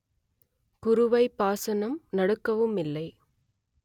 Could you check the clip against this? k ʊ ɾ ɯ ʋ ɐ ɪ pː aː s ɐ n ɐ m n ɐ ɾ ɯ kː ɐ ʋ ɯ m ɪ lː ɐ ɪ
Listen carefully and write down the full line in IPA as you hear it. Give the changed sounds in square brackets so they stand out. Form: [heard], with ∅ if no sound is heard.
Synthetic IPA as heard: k ʊ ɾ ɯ ʋ ɐ ɪ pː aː s ɐ n ɐ m n ɐ [ɽ] ɯ kː ɐ ʋ ɯ m ɪ lː ɐ ɪ